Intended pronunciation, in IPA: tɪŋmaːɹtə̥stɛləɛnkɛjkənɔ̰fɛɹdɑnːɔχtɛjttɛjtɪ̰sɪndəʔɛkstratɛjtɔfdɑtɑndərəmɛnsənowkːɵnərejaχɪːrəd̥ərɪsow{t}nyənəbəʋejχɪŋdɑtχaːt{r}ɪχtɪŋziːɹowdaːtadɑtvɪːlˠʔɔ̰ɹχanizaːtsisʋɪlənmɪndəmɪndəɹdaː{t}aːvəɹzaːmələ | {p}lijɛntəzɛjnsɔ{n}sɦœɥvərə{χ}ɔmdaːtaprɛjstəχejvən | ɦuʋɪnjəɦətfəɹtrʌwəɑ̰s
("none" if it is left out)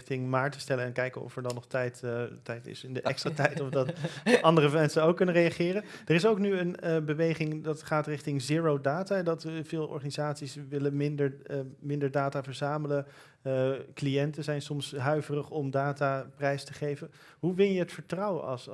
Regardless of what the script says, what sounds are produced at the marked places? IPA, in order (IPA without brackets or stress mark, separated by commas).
k, r, t, k, m, χ